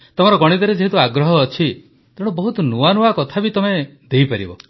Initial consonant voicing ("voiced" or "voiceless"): voiceless